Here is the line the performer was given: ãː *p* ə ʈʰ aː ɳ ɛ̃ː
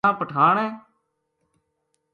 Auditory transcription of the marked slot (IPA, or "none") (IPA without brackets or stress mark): p